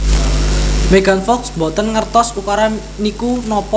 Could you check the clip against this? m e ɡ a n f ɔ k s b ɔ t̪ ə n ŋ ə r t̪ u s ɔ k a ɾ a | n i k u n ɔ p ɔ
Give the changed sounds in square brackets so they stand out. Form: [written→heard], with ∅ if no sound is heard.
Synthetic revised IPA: m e ɡ a n f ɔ k s b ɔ t̪ ə n ŋ ə r t̪ [u→ɔ] s [ɔ→u] k a ɾ a | n i k u n ɔ p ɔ